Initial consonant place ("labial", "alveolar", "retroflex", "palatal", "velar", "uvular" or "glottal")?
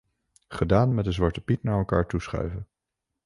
uvular